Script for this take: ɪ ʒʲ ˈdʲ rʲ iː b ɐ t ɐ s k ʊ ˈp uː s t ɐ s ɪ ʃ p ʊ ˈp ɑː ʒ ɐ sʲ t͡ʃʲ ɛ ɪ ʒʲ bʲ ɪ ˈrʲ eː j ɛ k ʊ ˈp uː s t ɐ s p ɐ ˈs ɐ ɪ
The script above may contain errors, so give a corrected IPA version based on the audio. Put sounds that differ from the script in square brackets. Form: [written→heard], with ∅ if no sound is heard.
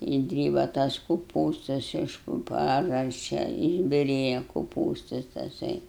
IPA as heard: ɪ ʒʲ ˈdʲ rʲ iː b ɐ t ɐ s k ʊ ˈp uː s t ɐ s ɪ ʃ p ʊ ˈp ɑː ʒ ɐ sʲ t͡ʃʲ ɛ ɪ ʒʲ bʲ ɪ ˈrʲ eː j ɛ k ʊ ˈp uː s t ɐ s [p→t] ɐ ˈs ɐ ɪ